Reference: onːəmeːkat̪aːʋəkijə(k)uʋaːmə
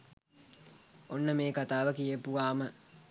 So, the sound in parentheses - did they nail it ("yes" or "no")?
no